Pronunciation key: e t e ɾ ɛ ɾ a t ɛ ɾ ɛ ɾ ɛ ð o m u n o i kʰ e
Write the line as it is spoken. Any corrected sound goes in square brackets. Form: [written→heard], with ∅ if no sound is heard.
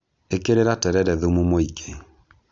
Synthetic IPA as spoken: e [t→k] e ɾ [ɛ→e] ɾ a t ɛ ɾ ɛ ɾ ɛ ð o m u [n→m] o i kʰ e